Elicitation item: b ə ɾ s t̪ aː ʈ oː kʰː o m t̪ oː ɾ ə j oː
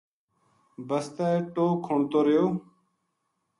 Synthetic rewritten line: b ə s t̪ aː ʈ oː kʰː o ɳ t̪ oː ɾ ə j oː